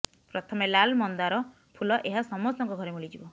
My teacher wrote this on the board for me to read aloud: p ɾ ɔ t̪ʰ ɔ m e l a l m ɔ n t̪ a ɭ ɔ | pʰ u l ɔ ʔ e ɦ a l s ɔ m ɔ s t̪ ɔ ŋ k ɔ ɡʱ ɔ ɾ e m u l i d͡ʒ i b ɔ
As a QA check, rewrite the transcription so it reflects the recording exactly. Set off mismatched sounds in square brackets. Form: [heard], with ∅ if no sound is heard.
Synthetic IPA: p ɾ ɔ t̪ʰ ɔ m e l a l m ɔ n [d̪] a [ɾ] ɔ | pʰ u l ɔ ʔ e ɦ a [∅] s ɔ m ɔ s t̪ ɔ ŋ k ɔ ɡʱ ɔ ɾ e m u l i d͡ʒ i b ɔ

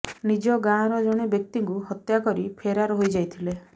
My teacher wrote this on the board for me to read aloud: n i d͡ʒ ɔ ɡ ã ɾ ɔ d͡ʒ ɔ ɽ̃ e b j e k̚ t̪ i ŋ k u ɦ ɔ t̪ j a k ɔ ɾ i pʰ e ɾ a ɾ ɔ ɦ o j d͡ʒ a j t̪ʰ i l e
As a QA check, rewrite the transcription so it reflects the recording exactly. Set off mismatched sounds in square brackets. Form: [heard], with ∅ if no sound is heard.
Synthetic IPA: n i d͡ʒ ɔ ɡ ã ɾ ɔ d͡ʒ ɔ ɽ̃ e b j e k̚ t̪ i ŋ k u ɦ ɔ t̪ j a k ɔ ɾ i pʰ e ɾ a ɾ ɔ ɦ o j d͡ʒ a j t̪ʰ i l e

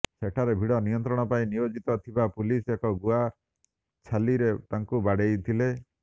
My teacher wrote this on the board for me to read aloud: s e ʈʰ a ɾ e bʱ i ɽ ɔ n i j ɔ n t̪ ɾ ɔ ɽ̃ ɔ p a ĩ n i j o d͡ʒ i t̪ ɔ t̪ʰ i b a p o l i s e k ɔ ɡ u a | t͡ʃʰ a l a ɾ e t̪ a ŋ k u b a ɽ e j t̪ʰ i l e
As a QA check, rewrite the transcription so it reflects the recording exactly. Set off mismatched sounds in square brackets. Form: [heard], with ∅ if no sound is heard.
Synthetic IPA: s e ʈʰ a ɾ e bʱ i ɽ ɔ n i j ɔ n t̪ ɾ ɔ ɽ̃ ɔ p a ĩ n i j o d͡ʒ i t̪ ɔ t̪ʰ i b a p [u] l i s e k ɔ ɡ u a | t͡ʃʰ a l [i] ɾ e t̪ a ŋ k u b a ɽ e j t̪ʰ i l e

